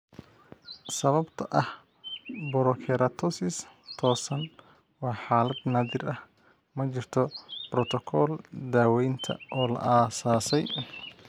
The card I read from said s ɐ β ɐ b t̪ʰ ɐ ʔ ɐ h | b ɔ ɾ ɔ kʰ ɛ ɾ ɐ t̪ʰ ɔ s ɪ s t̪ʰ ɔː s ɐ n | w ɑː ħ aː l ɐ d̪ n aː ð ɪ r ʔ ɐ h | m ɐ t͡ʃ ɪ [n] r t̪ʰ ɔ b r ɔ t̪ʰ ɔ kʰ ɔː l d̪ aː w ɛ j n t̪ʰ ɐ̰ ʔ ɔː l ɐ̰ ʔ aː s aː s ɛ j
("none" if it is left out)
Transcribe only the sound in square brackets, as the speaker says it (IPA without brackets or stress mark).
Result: none